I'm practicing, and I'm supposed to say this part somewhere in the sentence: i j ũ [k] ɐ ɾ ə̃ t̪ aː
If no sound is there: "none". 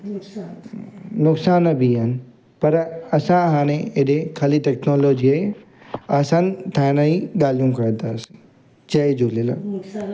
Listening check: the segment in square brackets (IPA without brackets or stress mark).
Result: k